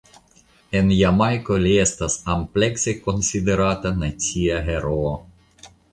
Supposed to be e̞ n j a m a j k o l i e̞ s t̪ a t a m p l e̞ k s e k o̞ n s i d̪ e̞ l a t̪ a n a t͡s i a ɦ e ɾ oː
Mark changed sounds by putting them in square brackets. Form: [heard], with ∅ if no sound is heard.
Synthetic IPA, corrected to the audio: e̞ n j a m a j k o l i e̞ s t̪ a [s] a m p l e̞ k s e k o̞ n s i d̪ e̞ [ɾ] a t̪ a n a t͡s i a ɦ e ɾ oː